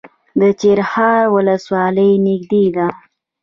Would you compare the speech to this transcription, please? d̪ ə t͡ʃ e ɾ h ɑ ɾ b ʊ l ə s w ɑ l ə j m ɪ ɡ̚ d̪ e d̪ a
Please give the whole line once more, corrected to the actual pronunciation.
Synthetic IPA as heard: d̪ ə t͡ʃ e ɾ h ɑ ɾ w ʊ l ə s w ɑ l ə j n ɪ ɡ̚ d̪ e d̪ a